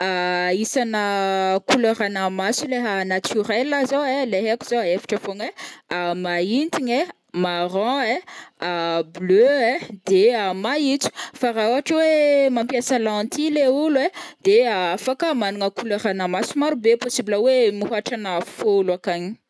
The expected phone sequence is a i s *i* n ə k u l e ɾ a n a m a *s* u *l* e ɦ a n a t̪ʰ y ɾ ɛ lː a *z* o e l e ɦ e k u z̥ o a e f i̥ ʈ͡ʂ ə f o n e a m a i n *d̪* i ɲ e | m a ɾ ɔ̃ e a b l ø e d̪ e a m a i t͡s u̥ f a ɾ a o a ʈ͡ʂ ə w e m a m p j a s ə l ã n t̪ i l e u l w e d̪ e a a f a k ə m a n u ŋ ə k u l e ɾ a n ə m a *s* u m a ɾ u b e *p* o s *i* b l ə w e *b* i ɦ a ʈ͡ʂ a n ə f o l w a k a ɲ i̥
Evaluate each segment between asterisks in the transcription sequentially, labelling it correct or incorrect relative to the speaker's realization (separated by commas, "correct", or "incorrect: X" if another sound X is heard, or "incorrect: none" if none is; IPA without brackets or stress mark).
incorrect: a, correct, correct, correct, incorrect: t̪, correct, correct, correct, incorrect: m